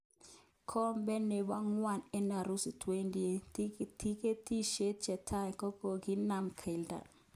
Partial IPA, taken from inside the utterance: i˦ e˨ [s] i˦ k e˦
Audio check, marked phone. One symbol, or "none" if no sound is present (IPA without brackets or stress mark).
t